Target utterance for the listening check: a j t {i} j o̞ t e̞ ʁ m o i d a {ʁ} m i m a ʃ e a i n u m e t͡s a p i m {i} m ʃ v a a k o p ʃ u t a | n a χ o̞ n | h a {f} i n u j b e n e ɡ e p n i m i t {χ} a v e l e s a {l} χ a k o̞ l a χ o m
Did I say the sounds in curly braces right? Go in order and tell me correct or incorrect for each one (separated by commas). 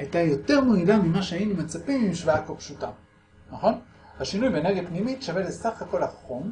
incorrect, incorrect, correct, incorrect, incorrect, incorrect